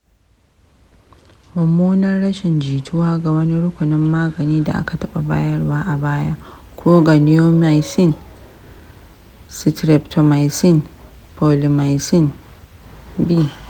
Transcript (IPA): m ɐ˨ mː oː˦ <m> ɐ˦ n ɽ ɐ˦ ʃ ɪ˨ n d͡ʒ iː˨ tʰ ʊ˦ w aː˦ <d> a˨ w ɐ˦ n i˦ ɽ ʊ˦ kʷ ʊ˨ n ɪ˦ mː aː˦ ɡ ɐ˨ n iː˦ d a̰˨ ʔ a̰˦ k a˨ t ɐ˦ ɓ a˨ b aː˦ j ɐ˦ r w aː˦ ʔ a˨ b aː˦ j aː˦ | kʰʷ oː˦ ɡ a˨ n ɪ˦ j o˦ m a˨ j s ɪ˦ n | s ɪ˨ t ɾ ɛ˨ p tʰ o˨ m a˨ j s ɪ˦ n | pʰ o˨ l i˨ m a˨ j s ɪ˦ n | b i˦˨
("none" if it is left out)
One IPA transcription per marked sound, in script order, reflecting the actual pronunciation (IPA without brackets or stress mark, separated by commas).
n, ɡ